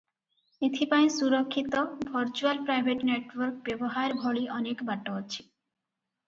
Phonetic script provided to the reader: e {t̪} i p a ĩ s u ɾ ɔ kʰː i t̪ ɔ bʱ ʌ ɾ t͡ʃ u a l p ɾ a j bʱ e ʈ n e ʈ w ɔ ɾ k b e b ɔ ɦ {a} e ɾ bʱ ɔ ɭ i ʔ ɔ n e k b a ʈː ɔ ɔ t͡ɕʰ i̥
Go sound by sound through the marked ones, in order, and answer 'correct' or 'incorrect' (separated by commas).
incorrect, correct